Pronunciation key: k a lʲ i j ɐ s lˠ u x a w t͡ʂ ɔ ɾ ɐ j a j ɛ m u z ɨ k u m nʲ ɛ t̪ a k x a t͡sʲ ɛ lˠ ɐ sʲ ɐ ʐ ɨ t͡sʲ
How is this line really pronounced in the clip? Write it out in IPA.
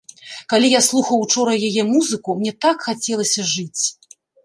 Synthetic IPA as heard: k a lʲ i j a s lˠ u x ɐ w t͡ʂ ɔ ɾ ɐ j a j ɛ m u z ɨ k u m nʲ ɛ t̪ a k x a t͡sʲ ɛ lˠ ɐ sʲ ɐ ʐ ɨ t͡sʲ